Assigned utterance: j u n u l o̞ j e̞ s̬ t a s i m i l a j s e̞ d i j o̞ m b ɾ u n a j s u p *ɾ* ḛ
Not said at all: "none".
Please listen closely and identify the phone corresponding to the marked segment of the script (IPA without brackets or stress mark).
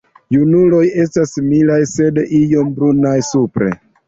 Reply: ɾ